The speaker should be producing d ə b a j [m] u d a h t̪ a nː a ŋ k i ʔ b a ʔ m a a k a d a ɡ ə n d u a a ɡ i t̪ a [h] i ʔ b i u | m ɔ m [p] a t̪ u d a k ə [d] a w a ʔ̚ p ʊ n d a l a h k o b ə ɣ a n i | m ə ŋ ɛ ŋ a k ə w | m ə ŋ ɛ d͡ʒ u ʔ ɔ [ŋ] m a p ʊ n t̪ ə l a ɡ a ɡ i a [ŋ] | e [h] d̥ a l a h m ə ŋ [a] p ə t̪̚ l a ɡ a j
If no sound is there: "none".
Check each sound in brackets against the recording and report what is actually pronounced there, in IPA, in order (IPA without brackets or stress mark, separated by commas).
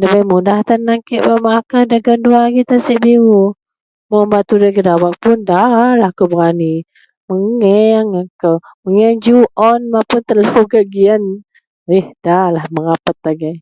m, s, b, d, n, n, h, a